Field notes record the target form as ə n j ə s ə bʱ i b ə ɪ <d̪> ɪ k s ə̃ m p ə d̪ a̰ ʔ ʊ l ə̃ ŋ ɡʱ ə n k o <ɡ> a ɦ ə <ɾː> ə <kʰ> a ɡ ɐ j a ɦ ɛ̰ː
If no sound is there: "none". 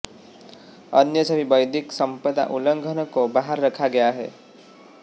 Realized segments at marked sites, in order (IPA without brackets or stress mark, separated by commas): d̪, b, ɾː, kʰ